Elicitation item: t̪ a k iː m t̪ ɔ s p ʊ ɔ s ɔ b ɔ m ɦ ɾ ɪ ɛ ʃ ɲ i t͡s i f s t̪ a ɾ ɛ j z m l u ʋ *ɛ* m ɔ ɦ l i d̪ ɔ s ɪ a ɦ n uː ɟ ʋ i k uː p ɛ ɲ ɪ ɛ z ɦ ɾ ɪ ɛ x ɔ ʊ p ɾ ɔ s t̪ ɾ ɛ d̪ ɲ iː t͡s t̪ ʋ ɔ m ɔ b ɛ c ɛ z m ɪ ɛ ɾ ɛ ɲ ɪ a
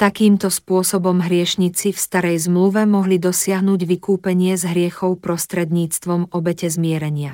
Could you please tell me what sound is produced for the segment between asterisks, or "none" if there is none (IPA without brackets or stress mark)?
ɛ